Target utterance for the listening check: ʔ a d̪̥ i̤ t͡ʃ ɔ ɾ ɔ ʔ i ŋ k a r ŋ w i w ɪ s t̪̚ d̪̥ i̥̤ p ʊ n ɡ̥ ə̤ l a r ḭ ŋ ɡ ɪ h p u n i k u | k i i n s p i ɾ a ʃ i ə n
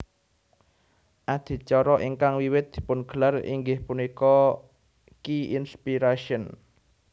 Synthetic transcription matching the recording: ʔ a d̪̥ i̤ t͡ʃ ɔ ɾ ɔ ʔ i ŋ k a ŋ w i w ɪ t̪̚ d̪̥ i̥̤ p ʊ n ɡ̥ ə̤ l a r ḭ ŋ ɡ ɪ h p u n i k ɔ | k i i n s p i ɾ a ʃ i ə n